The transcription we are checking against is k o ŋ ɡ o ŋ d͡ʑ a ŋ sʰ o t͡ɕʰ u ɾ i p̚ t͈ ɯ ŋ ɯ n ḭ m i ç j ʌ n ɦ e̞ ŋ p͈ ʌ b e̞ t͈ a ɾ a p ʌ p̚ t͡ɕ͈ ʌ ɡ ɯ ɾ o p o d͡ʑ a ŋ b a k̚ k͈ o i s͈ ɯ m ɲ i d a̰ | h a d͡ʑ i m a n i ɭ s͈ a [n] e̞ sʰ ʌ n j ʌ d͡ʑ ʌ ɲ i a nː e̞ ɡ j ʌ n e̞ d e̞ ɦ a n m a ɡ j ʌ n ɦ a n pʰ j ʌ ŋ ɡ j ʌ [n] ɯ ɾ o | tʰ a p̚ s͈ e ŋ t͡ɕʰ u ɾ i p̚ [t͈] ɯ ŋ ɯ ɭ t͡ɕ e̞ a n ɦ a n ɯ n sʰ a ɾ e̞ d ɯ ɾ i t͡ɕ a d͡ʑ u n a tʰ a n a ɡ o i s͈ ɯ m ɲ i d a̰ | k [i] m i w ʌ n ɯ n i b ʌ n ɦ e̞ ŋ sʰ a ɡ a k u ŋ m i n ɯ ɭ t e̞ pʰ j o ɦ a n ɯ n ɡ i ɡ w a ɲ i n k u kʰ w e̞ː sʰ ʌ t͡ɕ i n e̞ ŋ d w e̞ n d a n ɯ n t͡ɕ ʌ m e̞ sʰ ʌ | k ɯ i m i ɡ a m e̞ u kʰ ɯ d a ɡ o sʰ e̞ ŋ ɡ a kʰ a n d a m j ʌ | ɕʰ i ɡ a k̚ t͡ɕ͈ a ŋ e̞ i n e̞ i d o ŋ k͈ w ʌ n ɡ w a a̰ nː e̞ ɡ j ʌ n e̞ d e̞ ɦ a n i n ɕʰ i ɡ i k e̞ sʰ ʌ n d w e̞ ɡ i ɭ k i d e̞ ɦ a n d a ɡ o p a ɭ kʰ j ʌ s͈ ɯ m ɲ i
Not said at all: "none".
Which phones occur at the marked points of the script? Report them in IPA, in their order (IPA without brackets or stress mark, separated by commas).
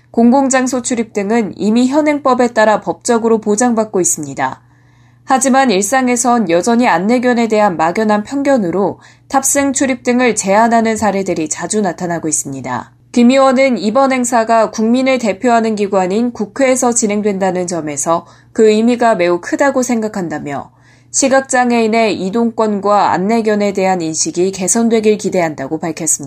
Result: ŋ, n, t͈, i